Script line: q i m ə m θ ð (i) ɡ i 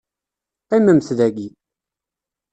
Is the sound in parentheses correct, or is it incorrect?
incorrect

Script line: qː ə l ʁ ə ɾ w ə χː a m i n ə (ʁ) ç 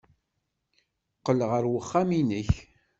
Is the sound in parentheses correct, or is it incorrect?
incorrect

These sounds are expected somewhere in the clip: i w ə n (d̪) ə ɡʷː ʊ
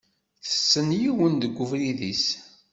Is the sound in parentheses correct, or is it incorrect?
correct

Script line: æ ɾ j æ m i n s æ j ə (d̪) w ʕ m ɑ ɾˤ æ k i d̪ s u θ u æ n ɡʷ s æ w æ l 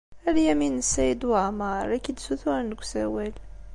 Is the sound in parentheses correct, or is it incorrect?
correct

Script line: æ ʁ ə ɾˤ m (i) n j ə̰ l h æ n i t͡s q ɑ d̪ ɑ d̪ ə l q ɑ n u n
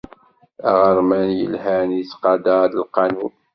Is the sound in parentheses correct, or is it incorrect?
incorrect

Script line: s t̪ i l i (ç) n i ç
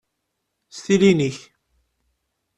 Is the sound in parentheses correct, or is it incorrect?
incorrect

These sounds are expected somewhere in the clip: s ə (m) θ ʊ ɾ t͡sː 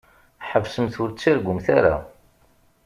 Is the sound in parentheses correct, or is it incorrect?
correct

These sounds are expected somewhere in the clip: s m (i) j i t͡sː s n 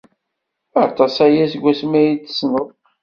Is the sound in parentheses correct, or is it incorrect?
incorrect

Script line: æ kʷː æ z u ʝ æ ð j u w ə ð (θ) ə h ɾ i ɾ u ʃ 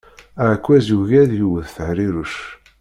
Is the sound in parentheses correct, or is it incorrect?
correct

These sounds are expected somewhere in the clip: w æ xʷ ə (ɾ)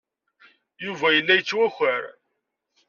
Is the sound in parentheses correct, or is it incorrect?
correct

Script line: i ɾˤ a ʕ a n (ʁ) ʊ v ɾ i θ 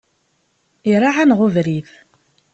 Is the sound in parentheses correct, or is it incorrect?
correct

